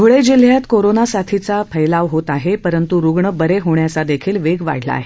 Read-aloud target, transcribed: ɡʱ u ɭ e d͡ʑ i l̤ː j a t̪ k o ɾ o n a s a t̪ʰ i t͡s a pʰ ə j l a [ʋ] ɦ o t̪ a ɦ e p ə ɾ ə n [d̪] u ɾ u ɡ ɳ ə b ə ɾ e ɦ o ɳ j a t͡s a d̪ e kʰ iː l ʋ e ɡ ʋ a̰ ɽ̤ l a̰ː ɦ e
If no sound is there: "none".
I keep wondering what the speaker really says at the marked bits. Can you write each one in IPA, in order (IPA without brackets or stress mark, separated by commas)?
ʋ, t̪